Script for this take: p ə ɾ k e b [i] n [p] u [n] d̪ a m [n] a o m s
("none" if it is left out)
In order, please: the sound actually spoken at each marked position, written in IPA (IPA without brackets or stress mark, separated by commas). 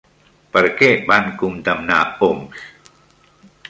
a, k, m, n